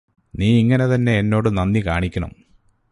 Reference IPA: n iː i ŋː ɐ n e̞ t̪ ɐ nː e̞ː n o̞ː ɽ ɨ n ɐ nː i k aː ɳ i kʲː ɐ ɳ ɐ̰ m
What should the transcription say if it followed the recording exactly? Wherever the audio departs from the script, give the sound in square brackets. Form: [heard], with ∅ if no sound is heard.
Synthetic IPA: n iː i ŋː ɐ n e̞ t̪ ɐ nː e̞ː [nː] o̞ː ɽ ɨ n ɐ nː i k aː ɳ i kʲː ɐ ɳ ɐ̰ m